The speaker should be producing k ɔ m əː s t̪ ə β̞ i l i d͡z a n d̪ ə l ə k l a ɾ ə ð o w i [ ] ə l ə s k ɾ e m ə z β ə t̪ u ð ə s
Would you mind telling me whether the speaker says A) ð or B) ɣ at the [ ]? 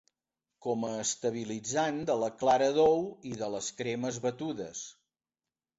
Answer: A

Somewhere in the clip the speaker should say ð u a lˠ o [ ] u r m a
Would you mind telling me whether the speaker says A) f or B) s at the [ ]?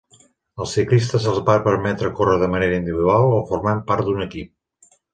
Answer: A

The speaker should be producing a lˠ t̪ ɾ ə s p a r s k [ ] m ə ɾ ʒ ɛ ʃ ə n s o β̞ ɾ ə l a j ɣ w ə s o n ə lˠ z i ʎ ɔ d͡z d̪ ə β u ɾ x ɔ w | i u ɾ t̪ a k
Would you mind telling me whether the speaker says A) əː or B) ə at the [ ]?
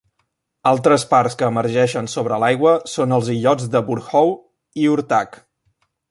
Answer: A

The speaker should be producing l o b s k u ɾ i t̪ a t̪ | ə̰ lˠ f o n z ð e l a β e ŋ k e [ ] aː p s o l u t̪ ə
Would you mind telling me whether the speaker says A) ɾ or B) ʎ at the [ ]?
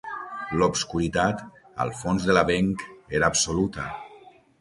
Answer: A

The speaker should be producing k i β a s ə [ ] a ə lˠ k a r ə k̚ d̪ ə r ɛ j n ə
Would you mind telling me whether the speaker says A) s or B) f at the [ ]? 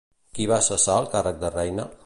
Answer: A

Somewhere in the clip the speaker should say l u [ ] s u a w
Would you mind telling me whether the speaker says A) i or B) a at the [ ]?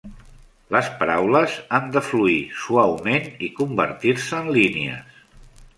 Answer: A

